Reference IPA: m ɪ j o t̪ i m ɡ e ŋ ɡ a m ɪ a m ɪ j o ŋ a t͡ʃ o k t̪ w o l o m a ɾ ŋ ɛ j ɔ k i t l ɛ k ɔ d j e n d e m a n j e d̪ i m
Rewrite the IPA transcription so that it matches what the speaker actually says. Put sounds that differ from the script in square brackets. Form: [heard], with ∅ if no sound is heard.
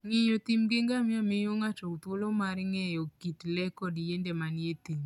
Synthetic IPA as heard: [ŋ] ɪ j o t̪ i m ɡ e ŋ ɡ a m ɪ a m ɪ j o ŋ a t͡ʃ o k t̪ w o l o m a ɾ ŋ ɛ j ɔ k i t l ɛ k ɔ d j e n d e m a n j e [t̪] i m

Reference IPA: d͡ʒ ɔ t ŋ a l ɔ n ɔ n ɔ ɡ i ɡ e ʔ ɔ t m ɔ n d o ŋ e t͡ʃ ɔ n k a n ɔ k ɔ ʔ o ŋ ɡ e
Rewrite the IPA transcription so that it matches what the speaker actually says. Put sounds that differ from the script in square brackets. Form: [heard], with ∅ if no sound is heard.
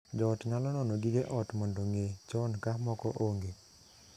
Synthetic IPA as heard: d͡ʒ ɔ t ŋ a l ɔ n ɔ n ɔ ɡ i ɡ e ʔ ɔ t m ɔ n d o ŋ e t͡ʃ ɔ n k a [m] ɔ k ɔ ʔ o ŋ ɡ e

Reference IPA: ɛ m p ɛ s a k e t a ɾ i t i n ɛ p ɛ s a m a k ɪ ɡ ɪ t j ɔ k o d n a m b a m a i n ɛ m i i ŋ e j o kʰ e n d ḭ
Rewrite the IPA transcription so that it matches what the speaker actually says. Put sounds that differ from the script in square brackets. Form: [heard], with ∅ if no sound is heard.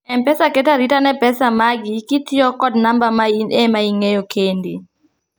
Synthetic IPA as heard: ɛ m p ɛ s a k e t a ɾ i t [a] n ɛ p ɛ s a m a [ɡ] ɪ [k] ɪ t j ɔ k [ɔ] d n a m b a m a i n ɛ m [a] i ŋ e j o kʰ e n d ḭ

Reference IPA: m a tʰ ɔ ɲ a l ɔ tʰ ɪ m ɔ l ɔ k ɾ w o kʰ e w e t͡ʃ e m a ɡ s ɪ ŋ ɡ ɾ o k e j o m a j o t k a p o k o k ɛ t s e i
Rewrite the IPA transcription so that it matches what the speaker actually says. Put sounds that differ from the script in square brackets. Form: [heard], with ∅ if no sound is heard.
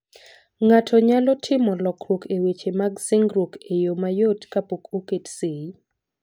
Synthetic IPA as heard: [ŋ] a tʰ ɔ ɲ a l ɔ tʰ ɪ m ɔ l ɔ k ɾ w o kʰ e w e t͡ʃ e m a ɡ s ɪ ŋ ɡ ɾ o k e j o m a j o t k a p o k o k [e] t s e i

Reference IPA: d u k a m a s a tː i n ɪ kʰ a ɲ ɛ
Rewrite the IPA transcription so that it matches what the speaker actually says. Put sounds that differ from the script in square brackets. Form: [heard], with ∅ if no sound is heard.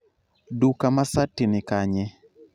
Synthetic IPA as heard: d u k a m a s a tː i n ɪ [k] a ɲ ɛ

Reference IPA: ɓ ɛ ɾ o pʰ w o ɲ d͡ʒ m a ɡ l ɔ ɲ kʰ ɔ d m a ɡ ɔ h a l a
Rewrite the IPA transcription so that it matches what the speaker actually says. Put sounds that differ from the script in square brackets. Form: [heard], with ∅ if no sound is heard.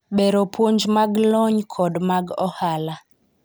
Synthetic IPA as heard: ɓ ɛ ɾ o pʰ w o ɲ d͡ʒ m a ɡ l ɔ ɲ kʰ ɔ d m a ɡ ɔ h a l a

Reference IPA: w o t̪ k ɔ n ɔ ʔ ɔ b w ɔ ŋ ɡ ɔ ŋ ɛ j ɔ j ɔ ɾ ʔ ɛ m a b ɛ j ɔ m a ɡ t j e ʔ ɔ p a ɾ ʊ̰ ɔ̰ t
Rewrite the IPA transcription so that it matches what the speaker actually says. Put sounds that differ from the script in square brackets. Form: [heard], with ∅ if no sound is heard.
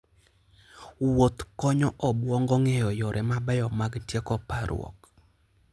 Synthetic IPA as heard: w o t̪ k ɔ [ɲ] ɔ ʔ ɔ b w ɔ ŋ ɡ ɔ ŋ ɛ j ɔ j ɔ ɾ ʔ ɛ m a b ɛ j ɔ m a ɡ t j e [k] ɔ p a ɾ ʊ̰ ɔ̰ [k]

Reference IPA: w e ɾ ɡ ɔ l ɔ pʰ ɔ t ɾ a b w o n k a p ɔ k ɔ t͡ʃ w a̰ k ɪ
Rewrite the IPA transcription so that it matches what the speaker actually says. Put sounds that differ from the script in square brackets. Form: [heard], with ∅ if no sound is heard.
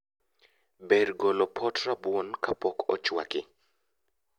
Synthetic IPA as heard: [b] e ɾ ɡ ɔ l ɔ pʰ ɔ t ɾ a b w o n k a p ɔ k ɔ t͡ʃ w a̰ k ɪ

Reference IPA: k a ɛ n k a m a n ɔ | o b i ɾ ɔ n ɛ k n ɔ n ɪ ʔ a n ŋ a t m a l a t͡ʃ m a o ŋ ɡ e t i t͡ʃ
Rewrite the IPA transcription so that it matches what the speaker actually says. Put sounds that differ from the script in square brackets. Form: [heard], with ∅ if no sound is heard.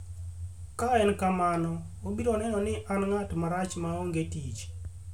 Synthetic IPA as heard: k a ɛ n k a m a n ɔ | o b i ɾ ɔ n ɛ [∅] n ɔ n ɪ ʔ a n ŋ a t m a [ɾ] a t͡ʃ m a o ŋ ɡ e t i t͡ʃ

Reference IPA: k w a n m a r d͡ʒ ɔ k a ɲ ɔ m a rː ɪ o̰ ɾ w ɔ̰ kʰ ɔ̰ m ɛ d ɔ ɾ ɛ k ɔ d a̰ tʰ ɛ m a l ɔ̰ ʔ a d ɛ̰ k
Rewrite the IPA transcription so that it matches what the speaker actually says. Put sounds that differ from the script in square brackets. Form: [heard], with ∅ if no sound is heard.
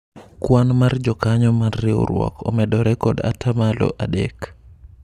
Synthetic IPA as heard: k w a n m a r d͡ʒ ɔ k a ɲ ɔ m a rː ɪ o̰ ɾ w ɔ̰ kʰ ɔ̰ m ɛ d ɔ ɾ ɛ k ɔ d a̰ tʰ [a] m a l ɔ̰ ʔ a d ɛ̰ k

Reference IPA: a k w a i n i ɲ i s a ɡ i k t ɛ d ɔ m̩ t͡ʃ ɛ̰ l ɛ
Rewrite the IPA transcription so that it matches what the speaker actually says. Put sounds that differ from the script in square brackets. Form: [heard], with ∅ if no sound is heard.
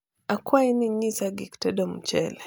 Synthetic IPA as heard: a k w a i n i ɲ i s a ɡ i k t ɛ d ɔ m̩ t͡ʃ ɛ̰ l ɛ

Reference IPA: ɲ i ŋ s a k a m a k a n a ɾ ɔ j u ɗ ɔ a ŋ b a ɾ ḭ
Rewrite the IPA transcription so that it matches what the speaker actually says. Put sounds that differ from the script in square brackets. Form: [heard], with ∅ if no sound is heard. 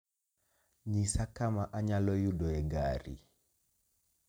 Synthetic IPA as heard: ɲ i [∅] s a k a m a [ʔ] a [ɲ] a [l] ɔ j u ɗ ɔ [ɛ] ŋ [ɡ] a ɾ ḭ

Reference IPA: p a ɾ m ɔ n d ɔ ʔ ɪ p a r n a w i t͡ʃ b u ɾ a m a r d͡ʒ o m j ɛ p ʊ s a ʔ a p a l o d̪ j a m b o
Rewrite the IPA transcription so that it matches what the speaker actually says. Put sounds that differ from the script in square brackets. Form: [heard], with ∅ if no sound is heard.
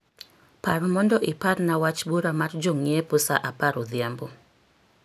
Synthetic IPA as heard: p a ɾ m ɔ n d ɔ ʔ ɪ p a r n a w [a] t͡ʃ b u ɾ a m a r d͡ʒ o [ŋ] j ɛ p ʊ s a ʔ a p a [ɾ] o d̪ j a m b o

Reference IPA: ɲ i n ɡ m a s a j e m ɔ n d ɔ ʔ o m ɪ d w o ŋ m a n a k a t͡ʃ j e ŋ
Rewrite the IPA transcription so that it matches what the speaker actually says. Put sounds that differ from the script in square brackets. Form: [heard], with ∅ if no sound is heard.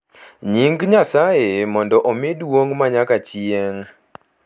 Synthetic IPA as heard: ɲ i [ŋ] ɡ [ɲ] a s a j e m ɔ n d ɔ ʔ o m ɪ d w o ŋ m a [ɲ] a k a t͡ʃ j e ŋ

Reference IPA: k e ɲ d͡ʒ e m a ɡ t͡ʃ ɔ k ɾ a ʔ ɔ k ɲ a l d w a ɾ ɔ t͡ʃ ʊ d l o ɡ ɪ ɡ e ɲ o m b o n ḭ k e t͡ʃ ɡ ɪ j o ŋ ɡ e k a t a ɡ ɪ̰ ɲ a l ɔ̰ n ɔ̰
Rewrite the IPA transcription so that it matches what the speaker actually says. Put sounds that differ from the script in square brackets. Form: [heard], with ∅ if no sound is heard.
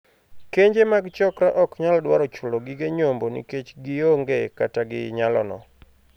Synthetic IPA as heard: k e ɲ d͡ʒ e m a ɡ t͡ʃ ɔ k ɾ a ʔ ɔ k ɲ a l d w a ɾ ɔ t͡ʃ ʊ [∅] l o ɡ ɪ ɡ e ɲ o m b o n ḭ k e t͡ʃ ɡ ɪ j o ŋ ɡ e k a t a ɡ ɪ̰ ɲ a l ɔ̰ n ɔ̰

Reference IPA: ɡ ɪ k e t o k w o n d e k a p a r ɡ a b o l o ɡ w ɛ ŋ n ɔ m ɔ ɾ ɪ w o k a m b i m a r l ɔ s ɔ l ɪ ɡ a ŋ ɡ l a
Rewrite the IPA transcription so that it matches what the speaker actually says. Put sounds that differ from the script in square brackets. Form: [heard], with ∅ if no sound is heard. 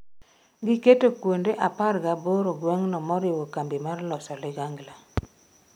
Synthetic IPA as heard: ɡ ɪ k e t o k w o n d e [ʔ] a p a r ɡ a b o [ɾ] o ɡ w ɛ ŋ n ɔ m ɔ ɾ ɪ w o k a m b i m a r l ɔ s ɔ l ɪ ɡ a ŋ ɡ l a

